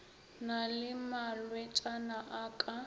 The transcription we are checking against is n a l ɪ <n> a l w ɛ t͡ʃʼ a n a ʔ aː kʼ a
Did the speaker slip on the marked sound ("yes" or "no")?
yes